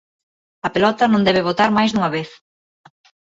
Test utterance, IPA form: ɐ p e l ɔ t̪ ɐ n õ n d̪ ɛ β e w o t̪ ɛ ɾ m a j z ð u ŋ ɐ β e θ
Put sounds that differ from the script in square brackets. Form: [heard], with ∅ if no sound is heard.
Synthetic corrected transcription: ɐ p e l ɔ t̪ ɐ n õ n d̪ ɛ β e [β] o t̪ [a] ɾ m a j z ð u ŋ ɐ β e θ